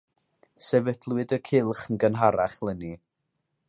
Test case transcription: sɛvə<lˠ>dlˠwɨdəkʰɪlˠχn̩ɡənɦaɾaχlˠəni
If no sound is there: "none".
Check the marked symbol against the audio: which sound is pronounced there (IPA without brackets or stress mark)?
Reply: none